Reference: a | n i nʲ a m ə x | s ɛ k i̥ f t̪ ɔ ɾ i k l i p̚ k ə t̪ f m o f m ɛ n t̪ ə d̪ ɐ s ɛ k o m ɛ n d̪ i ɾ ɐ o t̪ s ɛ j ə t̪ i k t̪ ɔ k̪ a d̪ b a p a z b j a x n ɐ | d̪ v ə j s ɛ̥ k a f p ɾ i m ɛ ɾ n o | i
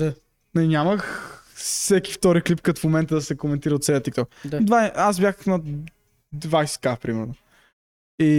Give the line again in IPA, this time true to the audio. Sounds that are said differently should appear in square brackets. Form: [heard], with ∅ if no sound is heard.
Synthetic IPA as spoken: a | n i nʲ a m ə x | s ɛ k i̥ f t̪ ɔ ɾ i k l i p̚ k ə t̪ f m o [∅] m ɛ n t̪ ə d̪ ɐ s ɛ k o m ɛ n [t̪] i ɾ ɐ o t̪ s ɛ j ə t̪ i k t̪ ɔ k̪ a d̪ [v] a [∅] a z b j a x n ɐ | d̪ v [a] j s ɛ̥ k a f p ɾ i m ɛ ɾ n o | i